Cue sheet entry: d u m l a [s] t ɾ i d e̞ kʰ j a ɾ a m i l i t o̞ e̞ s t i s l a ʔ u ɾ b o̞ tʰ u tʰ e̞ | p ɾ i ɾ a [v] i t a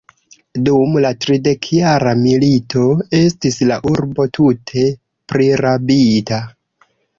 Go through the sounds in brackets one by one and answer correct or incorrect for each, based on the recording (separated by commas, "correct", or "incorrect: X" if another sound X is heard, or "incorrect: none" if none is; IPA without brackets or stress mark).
incorrect: none, incorrect: b